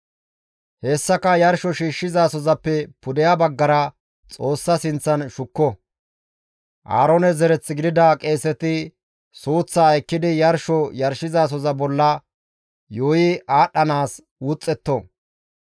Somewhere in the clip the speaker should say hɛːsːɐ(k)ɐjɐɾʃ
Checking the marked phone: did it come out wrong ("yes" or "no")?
no